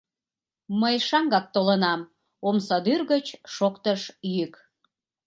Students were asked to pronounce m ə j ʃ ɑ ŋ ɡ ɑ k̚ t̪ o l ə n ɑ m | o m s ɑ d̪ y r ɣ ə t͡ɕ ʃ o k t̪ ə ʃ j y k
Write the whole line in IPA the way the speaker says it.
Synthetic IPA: m ə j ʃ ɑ ŋ ɡ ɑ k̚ t̪ o l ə n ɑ m | o m s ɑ d̪ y r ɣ ə t͡ɕ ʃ o k t̪ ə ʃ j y k